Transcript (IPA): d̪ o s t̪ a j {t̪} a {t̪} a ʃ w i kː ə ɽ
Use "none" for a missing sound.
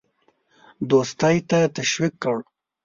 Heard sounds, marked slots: t̪, t̪

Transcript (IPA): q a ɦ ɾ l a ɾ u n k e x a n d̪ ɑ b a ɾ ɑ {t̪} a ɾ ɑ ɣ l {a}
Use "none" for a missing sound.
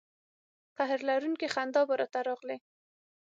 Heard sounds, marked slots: t̪, e

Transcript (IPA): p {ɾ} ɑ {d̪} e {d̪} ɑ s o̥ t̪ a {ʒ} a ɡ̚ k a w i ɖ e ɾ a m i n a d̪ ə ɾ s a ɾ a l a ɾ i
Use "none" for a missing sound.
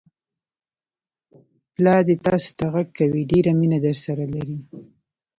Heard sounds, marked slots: l, d̪, t̪, ɣ

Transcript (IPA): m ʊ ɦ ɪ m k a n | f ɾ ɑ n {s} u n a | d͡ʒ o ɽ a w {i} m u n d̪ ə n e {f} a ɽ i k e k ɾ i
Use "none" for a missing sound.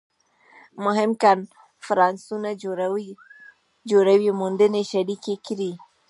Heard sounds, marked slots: s, i, ʃ

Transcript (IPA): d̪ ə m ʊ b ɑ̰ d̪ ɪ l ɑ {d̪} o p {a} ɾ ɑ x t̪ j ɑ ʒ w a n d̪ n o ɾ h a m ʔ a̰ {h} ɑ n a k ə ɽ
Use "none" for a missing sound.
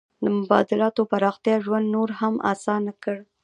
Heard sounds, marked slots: t̪, a, s

